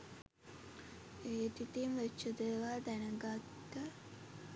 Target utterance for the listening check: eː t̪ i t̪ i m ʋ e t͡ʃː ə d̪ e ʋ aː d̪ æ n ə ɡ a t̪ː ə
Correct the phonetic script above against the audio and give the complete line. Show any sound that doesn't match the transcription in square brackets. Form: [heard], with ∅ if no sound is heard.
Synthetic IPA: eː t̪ i t̪ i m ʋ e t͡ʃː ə d̪ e ʋ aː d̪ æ n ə ɡ a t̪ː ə